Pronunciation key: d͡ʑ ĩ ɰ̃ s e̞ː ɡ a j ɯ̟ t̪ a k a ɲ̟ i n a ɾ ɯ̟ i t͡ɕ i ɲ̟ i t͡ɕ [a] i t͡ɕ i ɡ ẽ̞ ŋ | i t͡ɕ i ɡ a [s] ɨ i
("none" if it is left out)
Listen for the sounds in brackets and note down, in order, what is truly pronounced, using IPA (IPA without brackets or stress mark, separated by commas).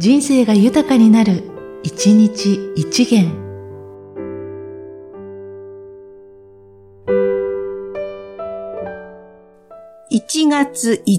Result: i, t͡s